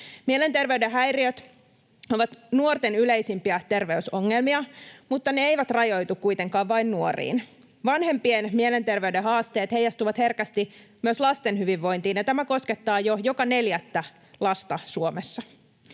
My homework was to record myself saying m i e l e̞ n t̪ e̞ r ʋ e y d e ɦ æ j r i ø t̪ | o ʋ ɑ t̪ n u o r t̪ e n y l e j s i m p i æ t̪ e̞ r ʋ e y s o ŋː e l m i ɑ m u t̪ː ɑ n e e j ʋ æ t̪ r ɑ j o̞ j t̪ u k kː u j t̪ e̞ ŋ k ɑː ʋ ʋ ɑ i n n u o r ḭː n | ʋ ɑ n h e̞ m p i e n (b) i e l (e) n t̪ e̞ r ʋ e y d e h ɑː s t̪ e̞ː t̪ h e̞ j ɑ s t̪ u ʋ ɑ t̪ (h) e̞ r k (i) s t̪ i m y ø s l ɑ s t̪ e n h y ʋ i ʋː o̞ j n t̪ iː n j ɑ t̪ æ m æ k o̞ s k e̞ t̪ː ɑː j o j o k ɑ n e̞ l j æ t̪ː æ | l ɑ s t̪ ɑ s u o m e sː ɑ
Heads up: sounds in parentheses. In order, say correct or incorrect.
incorrect, correct, correct, incorrect

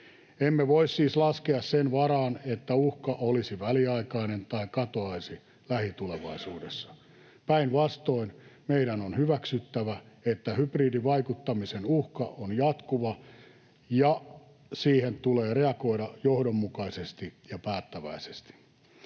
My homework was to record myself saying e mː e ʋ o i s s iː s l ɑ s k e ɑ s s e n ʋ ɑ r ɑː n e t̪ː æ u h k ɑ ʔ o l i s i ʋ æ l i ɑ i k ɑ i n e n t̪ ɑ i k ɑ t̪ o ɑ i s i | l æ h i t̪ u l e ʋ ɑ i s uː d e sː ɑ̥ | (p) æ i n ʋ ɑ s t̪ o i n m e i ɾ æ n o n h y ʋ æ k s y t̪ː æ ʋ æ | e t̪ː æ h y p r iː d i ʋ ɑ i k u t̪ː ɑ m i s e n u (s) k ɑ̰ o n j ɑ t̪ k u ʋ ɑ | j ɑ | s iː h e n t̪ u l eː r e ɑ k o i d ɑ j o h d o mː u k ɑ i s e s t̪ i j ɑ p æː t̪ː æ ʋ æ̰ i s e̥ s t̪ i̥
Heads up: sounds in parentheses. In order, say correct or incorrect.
correct, incorrect

